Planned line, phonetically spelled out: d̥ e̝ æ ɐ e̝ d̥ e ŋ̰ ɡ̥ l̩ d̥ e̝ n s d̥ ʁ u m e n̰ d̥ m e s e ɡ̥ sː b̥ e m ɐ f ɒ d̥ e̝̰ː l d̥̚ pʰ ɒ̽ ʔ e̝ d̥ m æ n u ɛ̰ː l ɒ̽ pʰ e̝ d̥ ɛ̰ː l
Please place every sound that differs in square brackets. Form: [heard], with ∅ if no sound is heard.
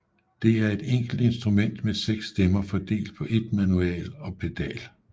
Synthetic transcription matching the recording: d̥ e̝ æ ɐ e̝ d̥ e ŋ̰ ɡ̥ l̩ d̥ e̝ n s d̥ ʁ u m e n̰ d̥ m e s e ɡ̥ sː [d̥] e m ɐ f ɒ d̥ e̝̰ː l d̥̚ pʰ ɒ̽ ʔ e̝ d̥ m æ n u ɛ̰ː l ɒ̽ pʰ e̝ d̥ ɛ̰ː l

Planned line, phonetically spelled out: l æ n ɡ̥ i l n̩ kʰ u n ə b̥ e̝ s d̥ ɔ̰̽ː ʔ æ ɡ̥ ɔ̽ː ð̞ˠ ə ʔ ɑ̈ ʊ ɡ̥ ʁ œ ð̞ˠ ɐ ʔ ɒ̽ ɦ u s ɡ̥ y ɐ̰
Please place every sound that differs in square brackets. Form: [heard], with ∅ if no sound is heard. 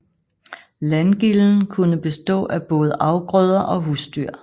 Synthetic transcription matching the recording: l æ n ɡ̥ i l n̩ kʰ u n ə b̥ e̝ s d̥ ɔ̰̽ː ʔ æ [b̥] ɔ̽ː ð̞ˠ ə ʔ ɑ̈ ʊ ɡ̥ ʁ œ ð̞ˠ ɐ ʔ ɒ̽ ɦ u s [d̥] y ɐ̰

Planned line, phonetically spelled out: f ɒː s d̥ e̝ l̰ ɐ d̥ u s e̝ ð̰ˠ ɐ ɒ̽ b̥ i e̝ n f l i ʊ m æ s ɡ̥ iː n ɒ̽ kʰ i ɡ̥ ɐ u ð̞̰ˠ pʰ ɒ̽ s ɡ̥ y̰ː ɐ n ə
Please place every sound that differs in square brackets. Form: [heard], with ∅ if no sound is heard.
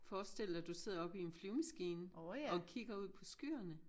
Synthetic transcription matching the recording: f ɒː s d̥ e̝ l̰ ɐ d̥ u s e̝ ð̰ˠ ɐ ɒ̽ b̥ i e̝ n f l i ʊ m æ s ɡ̥ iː n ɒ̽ kʰ i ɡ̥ ɐ u ð̞̰ˠ pʰ ɒ̽ s ɡ̥ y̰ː ɐ n ə

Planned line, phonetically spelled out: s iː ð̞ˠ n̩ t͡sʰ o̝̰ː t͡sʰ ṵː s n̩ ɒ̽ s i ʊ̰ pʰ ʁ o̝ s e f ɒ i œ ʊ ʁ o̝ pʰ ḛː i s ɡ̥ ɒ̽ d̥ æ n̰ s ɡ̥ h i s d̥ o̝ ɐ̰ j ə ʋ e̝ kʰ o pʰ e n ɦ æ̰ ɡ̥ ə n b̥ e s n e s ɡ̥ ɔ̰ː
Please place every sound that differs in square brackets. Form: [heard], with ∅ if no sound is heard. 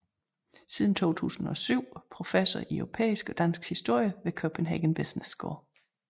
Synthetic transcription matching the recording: s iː ð̞ˠ n̩ t͡sʰ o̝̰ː t͡sʰ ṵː s n̩ ɒ̽ s [y] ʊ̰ pʰ ʁ o̝ [f] e [s] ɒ i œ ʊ ʁ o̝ pʰ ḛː i s ɡ̥ ɒ̽ d̥ æ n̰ s ɡ̥ h i s d̥ o̝ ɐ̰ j ə ʋ e̝ kʰ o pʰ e n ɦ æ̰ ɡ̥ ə n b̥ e s n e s ɡ̥ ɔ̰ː

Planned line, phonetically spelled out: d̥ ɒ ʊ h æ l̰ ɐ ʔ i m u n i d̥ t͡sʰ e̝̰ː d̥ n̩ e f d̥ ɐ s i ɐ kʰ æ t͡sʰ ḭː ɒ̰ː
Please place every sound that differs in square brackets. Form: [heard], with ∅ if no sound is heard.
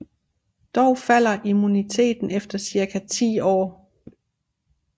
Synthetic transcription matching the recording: d̥ ɒ ʊ [f] æ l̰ ɐ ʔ i m u n i [∅] t͡sʰ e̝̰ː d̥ n̩ e f d̥ ɐ s i ɐ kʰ æ t͡sʰ ḭː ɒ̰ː

